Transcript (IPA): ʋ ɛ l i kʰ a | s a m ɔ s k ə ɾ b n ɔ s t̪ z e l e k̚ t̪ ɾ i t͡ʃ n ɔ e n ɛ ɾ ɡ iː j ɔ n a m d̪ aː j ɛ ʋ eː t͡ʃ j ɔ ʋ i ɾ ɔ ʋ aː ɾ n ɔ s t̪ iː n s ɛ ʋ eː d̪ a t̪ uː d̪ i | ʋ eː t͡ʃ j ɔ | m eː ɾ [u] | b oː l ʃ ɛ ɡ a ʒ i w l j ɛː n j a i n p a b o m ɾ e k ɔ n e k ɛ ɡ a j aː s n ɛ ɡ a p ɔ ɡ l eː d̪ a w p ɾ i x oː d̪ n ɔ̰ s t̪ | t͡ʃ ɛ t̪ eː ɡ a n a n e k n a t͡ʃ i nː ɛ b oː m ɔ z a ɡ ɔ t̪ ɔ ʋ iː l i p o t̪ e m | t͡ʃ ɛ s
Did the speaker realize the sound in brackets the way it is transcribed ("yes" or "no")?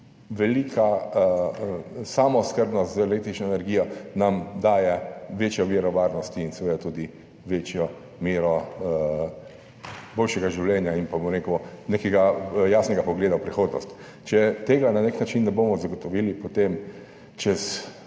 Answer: no